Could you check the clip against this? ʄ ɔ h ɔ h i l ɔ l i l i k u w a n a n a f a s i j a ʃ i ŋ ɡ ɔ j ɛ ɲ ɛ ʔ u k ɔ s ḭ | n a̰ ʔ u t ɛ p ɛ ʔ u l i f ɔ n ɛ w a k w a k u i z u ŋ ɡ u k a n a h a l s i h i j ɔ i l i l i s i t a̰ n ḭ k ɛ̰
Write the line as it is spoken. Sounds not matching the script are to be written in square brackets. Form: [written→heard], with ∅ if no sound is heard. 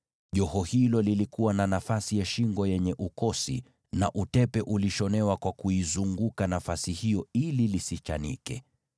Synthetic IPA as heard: ʄ ɔ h ɔ h i l ɔ l i l i k u w a n a n a f a s i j a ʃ i ŋ ɡ ɔ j ɛ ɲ ɛ ʔ u k ɔ s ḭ | n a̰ ʔ u t ɛ p ɛ ʔ u l i [f→ʃ] ɔ n ɛ w a k w a k u i z u ŋ ɡ u k a n a [h→f] a [l→∅] s i h i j ɔ i l i l i s i [t→t͡ʃ] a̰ n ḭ k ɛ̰